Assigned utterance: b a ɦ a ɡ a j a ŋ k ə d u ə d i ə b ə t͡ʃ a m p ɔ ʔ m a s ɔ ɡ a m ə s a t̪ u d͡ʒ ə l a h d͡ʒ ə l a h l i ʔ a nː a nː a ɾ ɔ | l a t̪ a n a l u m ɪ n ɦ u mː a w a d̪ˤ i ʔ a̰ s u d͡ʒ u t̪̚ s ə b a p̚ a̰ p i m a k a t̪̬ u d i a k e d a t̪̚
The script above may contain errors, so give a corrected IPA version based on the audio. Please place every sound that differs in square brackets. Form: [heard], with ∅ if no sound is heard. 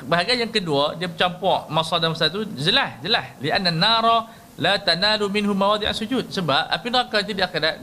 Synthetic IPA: b a ɦ a ɡ a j a ŋ k ə d u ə d i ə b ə t͡ʃ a m p ɔ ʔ m a s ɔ [d] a m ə s a t̪ u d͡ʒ ə l a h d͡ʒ ə l a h l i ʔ a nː a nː a ɾ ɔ | l a t̪ a n a l u m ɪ n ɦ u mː a w a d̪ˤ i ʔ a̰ s u d͡ʒ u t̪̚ s ə b a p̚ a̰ p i [n] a k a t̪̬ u d i a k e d a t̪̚